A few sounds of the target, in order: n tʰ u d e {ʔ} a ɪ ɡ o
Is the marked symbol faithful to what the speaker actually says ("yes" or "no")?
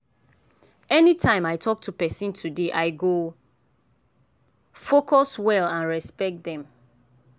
yes